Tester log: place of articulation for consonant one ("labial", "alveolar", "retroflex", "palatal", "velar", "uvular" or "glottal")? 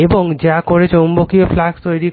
labial